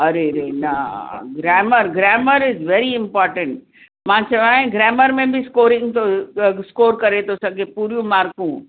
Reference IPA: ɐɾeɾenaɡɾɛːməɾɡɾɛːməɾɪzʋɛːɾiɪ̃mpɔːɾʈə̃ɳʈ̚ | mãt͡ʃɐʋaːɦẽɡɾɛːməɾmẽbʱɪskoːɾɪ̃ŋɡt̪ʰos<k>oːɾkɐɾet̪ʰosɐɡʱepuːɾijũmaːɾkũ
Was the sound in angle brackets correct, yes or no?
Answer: yes